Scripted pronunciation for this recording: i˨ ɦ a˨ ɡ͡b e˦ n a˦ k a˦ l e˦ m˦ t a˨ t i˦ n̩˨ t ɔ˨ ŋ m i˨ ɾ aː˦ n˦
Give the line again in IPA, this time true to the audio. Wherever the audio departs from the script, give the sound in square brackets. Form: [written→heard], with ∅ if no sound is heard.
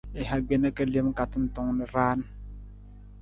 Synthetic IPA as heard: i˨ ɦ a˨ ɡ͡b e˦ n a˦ k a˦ l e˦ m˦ [t→k] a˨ t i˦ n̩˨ t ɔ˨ ŋ [m→n] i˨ ɾ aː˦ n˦